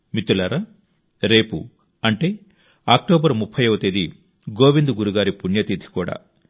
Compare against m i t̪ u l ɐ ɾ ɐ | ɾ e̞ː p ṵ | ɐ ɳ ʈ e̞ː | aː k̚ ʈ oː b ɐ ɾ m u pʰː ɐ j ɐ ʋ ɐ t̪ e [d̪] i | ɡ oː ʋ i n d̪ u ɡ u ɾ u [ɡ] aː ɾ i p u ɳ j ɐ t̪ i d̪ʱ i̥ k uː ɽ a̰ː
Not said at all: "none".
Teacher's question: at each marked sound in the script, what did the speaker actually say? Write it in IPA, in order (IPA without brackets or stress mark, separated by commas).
d̪, ɡ